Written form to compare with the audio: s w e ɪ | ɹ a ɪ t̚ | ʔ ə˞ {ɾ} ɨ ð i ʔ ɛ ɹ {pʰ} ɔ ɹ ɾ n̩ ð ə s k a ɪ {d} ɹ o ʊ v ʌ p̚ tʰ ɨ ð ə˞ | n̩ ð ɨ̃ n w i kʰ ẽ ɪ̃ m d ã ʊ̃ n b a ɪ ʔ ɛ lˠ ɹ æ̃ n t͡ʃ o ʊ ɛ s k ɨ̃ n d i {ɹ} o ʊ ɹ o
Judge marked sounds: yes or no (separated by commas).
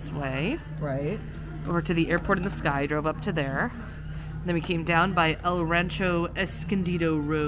yes, yes, yes, no